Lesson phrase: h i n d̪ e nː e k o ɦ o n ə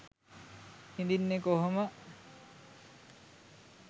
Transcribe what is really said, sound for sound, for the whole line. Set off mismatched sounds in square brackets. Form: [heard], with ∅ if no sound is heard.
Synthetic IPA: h i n d̪ [i] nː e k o ɦ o [m] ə